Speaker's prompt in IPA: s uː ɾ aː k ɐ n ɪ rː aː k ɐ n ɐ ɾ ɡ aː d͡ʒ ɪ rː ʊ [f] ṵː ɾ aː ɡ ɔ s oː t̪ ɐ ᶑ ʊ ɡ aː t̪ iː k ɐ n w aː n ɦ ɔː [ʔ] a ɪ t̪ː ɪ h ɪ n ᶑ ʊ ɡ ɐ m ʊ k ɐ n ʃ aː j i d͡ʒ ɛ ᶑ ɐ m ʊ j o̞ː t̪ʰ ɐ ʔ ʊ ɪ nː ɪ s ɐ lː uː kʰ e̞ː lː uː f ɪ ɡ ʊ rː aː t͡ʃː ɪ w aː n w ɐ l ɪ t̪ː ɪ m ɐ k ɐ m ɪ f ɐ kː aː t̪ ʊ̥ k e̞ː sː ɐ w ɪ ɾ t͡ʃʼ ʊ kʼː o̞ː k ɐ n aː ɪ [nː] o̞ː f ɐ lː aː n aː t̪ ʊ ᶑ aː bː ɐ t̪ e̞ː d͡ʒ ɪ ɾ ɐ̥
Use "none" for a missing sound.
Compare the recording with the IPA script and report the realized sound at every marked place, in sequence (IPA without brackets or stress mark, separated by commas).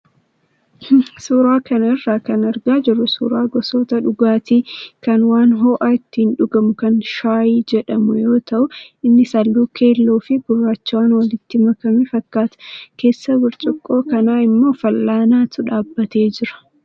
s, ʔ, mː